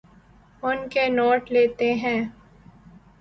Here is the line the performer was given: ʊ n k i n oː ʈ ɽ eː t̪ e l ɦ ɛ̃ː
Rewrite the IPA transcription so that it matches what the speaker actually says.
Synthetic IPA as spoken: ʊ n k e n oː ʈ l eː t̪ e ɦ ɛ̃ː

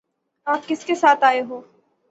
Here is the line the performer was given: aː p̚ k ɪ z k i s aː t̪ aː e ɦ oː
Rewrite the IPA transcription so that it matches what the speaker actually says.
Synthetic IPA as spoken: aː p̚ k ɪ s k e s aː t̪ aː e ɦ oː

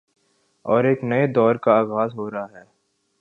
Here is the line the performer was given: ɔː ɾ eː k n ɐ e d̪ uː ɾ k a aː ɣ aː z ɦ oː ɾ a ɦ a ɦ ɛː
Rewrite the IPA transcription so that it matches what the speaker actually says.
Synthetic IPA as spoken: ɔː ɾ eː k n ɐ e d̪ ɔː ɾ k a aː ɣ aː z ɦ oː ɾ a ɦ a ɦ ɛː

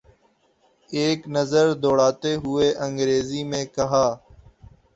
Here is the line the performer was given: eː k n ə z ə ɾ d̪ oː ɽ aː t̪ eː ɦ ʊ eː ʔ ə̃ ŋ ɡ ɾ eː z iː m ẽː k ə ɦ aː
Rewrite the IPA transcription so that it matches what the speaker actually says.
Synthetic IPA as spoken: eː k n ə z ə ɾ d̪ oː ɽ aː t̪ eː ɦ ʊ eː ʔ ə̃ ŋ ɡ ɾ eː z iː m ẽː k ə ɦ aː

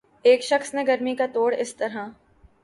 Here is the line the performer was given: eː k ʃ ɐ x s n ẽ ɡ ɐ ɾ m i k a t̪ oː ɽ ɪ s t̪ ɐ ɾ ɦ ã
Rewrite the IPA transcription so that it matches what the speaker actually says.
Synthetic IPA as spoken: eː k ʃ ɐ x s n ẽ ɡ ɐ ɾ m i k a t̪ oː ɽ ɪ s t̪ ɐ ɾ ɦ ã

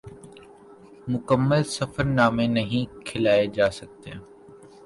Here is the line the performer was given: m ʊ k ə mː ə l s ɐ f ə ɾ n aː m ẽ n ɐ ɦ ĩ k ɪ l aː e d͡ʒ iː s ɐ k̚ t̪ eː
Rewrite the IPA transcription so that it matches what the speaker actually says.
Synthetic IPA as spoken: m ʊ k ə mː ə l s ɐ f ə ɾ n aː m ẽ n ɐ ɦ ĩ kʰ ɪ l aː e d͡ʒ aː s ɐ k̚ t̪ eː

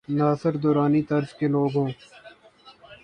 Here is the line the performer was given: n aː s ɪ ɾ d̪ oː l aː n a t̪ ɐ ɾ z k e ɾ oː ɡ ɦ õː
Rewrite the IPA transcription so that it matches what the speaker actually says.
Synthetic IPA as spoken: n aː s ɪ ɾ d̪ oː ɾ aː n i t̪ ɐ ɾ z k e l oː ɡ ɦ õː

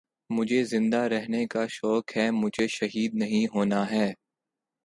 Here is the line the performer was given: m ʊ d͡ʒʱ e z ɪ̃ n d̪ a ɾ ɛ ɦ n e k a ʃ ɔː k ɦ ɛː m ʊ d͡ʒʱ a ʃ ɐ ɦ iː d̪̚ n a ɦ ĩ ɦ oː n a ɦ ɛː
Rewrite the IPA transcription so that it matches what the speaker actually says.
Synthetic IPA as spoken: m ʊ d͡ʒʱ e z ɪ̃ n d̪ a ɾ ɛ ɦ n e k a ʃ ɔː k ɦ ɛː m ʊ d͡ʒʱ e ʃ ɐ ɦ iː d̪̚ n ɐ ɦ ĩ ɦ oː n a ɦ ɛː

